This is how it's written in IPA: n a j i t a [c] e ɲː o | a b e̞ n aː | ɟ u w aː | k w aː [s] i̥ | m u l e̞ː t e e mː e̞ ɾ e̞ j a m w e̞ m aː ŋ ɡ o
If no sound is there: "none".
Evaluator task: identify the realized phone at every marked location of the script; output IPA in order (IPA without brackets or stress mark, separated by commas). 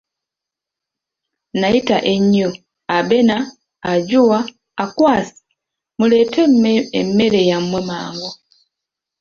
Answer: ʔ, s